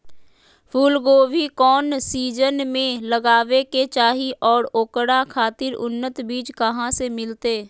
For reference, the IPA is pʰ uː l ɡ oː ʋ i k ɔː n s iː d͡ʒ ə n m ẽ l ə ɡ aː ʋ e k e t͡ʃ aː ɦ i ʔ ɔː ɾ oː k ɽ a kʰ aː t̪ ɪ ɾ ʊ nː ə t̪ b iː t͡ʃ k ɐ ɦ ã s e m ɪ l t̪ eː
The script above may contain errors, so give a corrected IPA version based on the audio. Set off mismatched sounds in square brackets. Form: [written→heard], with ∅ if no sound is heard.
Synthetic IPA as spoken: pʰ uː l ɡ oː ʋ i k ɔː n s iː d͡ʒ ə n m ẽ l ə ɡ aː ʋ e k e t͡ʃ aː ɦ i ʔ ɔː ɾ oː k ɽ a kʰ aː t̪ ɪ ɾ ʊ nː ə t̪ b iː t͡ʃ k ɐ ɦ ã s e m ɪ l t̪ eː

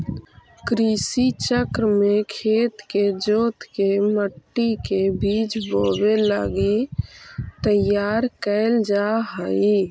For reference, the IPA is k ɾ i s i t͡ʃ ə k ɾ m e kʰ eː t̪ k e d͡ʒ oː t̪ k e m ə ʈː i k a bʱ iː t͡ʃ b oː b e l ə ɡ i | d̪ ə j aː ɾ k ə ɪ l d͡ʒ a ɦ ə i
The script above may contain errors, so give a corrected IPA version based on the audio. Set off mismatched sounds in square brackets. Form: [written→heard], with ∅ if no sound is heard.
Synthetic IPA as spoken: k ɾ i s i t͡ʃ ə k ɾ m e kʰ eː t̪ k e d͡ʒ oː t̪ k e m ə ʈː i k [a→e] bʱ iː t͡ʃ b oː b e l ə ɡ i | [d̪→t̪] ə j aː ɾ k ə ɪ l d͡ʒ a ɦ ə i

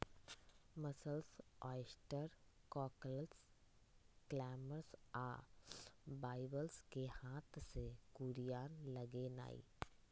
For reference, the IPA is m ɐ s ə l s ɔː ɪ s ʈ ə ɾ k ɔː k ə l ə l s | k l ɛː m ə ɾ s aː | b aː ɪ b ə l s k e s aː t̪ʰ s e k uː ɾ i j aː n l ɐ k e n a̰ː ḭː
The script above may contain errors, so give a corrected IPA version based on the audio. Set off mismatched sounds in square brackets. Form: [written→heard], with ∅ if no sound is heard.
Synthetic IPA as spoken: m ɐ s ə l s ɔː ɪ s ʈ ə ɾ k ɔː k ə l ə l s | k l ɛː m ə ɾ s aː | b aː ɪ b ə l s k e [s→h] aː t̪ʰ s e k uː ɾ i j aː n l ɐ [k→ɡ] e n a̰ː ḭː

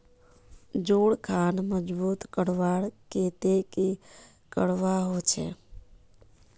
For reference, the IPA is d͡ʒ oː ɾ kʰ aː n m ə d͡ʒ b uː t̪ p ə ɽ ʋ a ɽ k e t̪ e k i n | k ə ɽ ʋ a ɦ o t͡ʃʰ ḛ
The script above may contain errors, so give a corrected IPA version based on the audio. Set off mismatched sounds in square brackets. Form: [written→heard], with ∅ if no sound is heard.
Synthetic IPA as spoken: d͡ʒ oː [ɾ→ɽ] kʰ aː n m ə d͡ʒ b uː t̪ [p→k] ə ɽ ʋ a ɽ k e t̪ e k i [n→∅] | k ə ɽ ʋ a ɦ o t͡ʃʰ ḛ

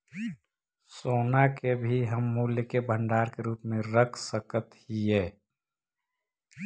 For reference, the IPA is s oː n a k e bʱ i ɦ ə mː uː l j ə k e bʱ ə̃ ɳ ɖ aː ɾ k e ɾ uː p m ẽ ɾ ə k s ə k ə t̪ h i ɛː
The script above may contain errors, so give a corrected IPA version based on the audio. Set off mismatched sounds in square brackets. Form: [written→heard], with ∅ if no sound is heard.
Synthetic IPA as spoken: s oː n a k e bʱ i ɦ ə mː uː l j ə k e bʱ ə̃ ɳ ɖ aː ɾ k e ɾ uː p m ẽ ɾ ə [k→kʰ] s ə k ə t̪ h i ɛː

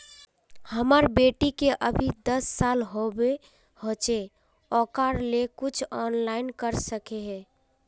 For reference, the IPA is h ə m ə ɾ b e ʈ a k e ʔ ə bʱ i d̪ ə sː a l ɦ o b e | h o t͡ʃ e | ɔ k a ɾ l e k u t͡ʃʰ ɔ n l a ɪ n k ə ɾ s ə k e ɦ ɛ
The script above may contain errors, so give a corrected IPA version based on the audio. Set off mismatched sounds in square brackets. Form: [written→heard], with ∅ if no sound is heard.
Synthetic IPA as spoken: h ə m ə ɾ b e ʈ [a→i] k e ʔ ə bʱ i d̪ ə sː a l ɦ o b e | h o t͡ʃ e | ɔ k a ɾ l e k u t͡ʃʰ ɔ n l a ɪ n k ə ɾ s ə k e ɦ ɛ

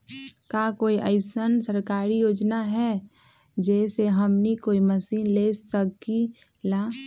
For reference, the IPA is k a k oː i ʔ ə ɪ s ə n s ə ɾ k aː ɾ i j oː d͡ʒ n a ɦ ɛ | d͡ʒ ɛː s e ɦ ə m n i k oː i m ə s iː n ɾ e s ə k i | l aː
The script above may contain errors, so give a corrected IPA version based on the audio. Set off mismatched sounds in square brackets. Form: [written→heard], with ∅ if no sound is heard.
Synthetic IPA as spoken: k a k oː i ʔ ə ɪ s ə n s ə ɾ k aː ɾ i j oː d͡ʒ n a ɦ ɛ | d͡ʒ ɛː s e ɦ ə m n i k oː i m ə s iː n [ɾ→l] e s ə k i | l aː

